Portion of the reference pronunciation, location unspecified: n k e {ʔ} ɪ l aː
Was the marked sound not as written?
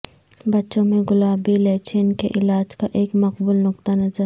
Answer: no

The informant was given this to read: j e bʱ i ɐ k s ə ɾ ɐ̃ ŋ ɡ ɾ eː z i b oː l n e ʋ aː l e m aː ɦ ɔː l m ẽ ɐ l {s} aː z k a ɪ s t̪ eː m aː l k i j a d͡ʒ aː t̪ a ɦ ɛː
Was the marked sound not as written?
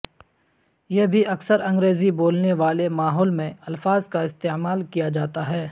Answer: yes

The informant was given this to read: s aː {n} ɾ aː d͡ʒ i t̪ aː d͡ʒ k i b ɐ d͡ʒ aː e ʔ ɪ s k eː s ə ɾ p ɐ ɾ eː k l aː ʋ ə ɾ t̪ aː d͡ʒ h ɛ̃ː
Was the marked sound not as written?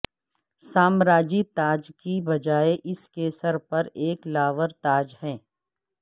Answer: yes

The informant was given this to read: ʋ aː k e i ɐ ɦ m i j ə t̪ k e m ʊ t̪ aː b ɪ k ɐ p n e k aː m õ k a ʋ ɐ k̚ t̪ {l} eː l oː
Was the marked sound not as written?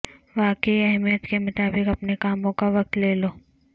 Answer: no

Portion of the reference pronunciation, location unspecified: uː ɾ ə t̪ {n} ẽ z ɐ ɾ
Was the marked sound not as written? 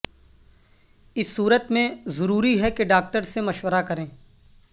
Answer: yes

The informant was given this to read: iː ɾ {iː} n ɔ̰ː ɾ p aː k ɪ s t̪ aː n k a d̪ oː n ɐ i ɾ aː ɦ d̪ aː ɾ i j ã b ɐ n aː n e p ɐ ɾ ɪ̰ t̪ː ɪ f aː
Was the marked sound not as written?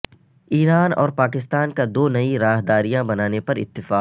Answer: yes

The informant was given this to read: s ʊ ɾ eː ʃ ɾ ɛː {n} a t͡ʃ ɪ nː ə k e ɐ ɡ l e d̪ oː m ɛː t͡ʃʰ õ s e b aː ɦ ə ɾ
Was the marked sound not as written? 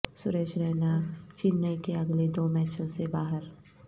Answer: no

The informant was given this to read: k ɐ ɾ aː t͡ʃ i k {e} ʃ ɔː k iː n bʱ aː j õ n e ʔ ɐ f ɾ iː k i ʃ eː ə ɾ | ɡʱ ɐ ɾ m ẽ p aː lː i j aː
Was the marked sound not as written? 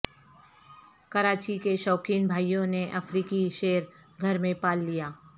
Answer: no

